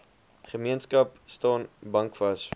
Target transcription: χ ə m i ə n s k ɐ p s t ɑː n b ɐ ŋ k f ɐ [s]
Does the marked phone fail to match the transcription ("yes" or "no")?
no